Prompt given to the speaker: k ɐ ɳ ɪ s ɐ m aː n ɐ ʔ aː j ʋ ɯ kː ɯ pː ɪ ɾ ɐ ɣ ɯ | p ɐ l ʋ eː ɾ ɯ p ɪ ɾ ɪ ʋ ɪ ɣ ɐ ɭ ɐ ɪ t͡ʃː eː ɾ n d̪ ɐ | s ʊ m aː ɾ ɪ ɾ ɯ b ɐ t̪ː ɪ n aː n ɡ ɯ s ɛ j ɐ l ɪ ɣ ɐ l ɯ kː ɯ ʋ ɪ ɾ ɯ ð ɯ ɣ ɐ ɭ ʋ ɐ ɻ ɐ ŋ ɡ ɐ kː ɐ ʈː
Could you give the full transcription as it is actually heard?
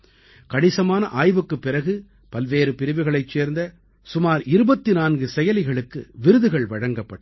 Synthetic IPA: k ɐ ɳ ɪ s ɐ m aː n ɐ ʔ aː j ʋ ɯ kː ɯ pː ɪ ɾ ɐ ɣ ɯ | p ɐ l ʋ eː ɾ ɯ p ɪ ɾ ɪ ʋ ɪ ɣ ɐ ɭ ɐ ɪ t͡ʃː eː ɾ n d̪ ɐ | s ʊ m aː ɾ ɪ ɾ ɯ b ɐ t̪ː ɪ n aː n ɡ ɯ s ɛ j ɐ l ɪ ɣ ɐ ɭ ɯ kː ɯ ʋ ɪ ɾ ɯ ð ɯ ɣ ɐ ɭ ʋ ɐ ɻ ɐ ŋ ɡ ɐ pː ɐ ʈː